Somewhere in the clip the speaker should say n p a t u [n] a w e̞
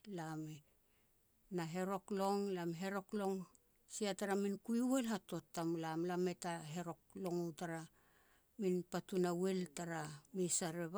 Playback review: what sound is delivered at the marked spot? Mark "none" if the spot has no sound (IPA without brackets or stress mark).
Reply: n